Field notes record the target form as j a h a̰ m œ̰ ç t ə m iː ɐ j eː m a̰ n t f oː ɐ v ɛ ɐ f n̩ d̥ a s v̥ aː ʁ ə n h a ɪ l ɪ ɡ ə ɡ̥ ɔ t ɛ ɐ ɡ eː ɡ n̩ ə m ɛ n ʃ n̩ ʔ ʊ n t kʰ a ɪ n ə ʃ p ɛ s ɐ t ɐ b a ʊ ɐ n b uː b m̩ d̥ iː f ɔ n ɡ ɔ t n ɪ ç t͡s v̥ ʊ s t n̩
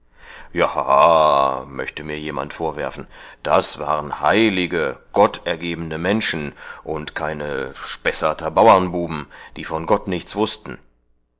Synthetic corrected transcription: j a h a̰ m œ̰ ç t ə m iː ɐ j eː m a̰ n t f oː ɐ v ɛ ɐ f n̩ d̥ a s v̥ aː ʁ ə n h a ɪ l ɪ ɡ ə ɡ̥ ɔ t ɛ ɐ ɡ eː b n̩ ə m ɛ n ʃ n̩ ʔ ʊ n t kʰ a ɪ n ə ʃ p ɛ s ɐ t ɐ b a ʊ ɐ n b uː b m̩ d̥ iː f ɔ n ɡ ɔ t n ɪ ç t͡s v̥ ʊ s t n̩